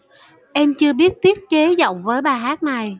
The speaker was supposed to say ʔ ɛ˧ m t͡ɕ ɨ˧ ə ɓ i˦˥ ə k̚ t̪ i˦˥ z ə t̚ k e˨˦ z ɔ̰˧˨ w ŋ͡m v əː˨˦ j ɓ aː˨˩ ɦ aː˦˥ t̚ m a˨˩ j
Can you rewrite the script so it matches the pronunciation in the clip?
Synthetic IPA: ʔ ɛ˧ m t͡ɕ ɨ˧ ə ɓ i˦˥ ə t̚ t̪ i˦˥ ə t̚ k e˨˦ z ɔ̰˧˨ w ŋ͡m v əː˨˦ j ɓ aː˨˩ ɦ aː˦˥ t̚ n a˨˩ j

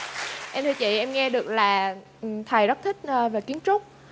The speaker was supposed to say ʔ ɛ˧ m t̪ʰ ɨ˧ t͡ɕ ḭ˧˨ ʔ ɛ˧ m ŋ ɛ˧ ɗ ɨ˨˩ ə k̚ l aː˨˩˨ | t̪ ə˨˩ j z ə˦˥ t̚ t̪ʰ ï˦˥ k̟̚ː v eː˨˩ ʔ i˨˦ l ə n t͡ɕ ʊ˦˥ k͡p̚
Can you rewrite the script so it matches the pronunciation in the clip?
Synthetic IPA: ʔ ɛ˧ m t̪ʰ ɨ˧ t͡ɕ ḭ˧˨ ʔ ɛ˧ m ŋ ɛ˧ ɗ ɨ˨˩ ə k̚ l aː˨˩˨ | t̪ʰ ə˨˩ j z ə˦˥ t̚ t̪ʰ ï˦˥ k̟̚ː v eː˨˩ k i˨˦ ə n t͡ɕ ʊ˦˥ k͡p̚

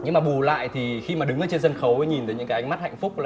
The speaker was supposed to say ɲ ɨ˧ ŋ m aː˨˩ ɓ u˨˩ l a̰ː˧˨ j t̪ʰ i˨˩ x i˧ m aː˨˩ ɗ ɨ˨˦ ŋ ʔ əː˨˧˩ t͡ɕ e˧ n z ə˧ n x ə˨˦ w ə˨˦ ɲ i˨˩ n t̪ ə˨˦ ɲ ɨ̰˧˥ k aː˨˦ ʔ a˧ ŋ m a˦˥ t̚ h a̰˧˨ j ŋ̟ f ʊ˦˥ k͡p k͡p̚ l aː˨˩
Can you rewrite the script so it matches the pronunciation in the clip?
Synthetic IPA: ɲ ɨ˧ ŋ m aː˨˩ ɓ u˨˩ l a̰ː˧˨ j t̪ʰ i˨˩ x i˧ m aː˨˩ ɗ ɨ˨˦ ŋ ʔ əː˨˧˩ t͡ɕ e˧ n z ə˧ n x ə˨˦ w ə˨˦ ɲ i˨˩ n t̪ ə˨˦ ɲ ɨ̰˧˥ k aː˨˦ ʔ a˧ ŋ m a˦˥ t̚ h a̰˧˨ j ŋ̟ f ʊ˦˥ k͡p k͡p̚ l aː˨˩

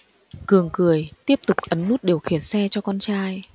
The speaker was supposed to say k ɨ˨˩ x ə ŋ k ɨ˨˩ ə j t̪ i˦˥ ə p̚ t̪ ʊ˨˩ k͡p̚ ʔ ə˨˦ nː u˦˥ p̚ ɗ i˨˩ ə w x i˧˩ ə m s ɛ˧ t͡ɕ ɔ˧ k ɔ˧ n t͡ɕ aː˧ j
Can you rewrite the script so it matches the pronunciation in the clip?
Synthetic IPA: k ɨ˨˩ ə ŋ k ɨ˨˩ ə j t̪ i˦˥ ə p̚ t̪ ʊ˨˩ k͡p̚ ʔ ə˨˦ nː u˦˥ t̚ ɗ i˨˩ ə w x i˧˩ ə n s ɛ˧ t͡ɕ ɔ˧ k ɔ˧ n t͡ɕ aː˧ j

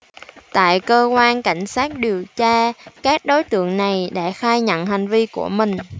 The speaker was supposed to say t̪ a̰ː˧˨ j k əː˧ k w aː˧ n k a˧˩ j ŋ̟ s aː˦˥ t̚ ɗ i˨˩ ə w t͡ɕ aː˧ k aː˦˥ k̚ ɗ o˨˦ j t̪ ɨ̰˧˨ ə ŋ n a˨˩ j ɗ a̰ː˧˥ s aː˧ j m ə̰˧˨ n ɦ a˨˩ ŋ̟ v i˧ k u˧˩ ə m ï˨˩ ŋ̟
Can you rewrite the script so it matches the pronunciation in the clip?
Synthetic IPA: t̪ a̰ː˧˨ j k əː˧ k w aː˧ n k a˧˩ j ŋ̟ s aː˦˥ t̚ ɗ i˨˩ ə w t͡ɕ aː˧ k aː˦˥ k̚ ɗ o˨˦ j t̪ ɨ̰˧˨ ə ŋ n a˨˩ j ɗ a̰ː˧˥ x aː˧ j ɲ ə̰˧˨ n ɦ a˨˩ ŋ̟ v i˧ k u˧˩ ə m ï˨˩ ŋ̟

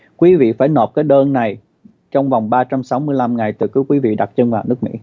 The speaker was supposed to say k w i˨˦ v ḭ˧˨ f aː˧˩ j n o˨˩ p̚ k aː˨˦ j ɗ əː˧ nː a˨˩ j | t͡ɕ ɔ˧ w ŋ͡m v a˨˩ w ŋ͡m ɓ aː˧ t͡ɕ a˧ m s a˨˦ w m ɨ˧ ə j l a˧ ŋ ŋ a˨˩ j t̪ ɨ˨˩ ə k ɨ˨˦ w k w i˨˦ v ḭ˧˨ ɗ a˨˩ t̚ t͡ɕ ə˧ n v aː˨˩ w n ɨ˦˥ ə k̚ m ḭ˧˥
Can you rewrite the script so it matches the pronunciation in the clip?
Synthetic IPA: k w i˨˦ v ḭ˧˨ f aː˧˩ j n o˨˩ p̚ k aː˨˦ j ɗ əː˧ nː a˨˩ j | t͡ɕ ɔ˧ w ŋ͡m v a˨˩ w ŋ͡m ɓ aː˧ t͡ɕ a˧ m s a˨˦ w m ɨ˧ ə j l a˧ m ŋ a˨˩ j t̪ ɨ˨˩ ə k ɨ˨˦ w k w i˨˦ v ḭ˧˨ ɗ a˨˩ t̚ t͡ɕ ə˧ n v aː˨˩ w n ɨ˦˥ ə k̚ m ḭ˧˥

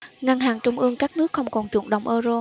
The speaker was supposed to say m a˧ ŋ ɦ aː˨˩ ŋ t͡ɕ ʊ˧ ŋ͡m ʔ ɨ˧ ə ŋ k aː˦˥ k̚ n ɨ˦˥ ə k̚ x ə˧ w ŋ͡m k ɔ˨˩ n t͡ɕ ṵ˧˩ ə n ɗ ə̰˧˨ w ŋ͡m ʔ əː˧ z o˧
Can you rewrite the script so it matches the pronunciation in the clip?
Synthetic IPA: ŋ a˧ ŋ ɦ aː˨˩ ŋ t͡ɕ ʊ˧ ŋ͡m ʔ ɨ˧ ə ŋ k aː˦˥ k̚ n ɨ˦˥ ə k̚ x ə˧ w ŋ͡m k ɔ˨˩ n t͡ɕ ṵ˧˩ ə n ɗ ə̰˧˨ w ŋ͡m ʔ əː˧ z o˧

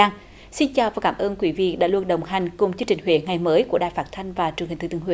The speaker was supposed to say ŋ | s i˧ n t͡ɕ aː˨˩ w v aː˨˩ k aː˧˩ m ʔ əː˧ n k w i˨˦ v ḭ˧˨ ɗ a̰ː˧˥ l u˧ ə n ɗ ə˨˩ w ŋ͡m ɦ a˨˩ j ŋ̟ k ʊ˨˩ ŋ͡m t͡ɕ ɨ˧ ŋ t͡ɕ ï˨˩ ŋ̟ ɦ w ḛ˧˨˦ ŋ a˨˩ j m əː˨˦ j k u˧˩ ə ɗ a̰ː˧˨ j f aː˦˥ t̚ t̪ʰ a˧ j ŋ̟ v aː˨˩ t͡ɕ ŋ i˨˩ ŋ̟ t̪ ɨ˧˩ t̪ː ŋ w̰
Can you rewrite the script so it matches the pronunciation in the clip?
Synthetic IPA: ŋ | s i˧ n t͡ɕ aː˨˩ w v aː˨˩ k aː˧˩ m ʔ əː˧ n k w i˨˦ v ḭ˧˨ ɗ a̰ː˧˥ l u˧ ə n ɗ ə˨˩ w ŋ͡m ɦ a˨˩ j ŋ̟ k ʊ˨˩ ŋ͡m t͡ɕ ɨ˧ ŋ t͡ɕ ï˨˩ ŋ̟ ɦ w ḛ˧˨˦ ŋ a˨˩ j m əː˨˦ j k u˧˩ ə ɗ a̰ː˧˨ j f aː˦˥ t̚ t̪ʰ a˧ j ŋ̟ v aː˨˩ t͡ɕ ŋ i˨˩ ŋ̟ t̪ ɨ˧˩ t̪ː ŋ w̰

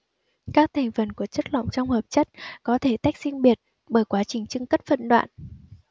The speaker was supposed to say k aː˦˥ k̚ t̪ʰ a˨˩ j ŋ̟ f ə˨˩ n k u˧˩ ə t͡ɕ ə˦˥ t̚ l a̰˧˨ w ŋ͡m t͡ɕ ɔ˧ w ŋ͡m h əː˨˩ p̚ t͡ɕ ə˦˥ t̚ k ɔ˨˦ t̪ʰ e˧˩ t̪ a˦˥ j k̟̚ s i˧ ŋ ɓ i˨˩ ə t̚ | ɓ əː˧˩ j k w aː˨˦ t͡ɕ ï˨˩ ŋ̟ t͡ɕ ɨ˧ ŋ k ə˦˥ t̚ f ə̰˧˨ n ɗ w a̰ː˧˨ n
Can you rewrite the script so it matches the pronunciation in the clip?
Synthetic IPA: k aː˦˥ k̚ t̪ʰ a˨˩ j ŋ̟ f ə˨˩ n k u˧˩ ə t͡ɕ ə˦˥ t̚ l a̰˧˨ w ŋ͡m t͡ɕ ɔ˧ w ŋ͡m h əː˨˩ p̚ t͡ɕ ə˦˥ t̚ k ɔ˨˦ t̪ʰ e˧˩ t̪ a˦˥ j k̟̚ s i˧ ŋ ɓ i˨˩ ə t̚ | ɓ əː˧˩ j k w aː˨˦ t͡ɕ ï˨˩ ŋ̟ t͡ɕ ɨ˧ ŋ k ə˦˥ t̚ f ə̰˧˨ n ɗ w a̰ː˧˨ n

